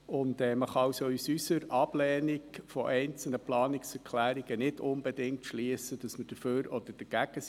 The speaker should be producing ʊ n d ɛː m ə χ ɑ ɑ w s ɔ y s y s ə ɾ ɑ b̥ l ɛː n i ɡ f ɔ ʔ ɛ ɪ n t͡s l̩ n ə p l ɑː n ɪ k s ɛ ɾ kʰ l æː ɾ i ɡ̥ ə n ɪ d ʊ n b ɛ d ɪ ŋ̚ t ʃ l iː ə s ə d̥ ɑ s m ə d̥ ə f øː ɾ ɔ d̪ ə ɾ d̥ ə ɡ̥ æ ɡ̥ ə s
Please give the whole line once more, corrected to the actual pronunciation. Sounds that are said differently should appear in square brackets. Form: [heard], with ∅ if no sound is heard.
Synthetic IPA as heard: ʊ n d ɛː m ə χ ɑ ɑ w s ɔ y s y s ə ɾ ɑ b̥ l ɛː n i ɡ f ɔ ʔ ɛ ɪ n t͡s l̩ n ə p l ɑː n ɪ k s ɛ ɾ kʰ l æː ɾ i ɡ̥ ə n ɪ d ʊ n b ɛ d ɪ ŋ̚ t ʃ l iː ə s ə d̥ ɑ s m ə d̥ ə f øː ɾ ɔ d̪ ə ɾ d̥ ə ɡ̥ æ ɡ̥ ə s